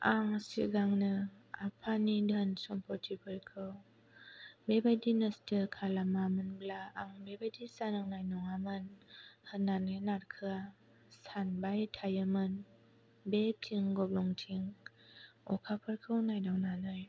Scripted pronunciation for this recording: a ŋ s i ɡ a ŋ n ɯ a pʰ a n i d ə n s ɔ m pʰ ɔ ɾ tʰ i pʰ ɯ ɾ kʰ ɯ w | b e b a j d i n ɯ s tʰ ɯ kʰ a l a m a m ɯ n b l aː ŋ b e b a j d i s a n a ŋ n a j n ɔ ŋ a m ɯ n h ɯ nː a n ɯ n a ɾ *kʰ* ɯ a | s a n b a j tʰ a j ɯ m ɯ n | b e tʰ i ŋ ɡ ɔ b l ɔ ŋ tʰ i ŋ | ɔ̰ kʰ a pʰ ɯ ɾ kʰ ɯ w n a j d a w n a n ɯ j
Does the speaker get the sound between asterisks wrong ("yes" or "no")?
no